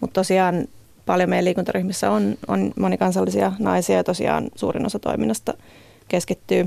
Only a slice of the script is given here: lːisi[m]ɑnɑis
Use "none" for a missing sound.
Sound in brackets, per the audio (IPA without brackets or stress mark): none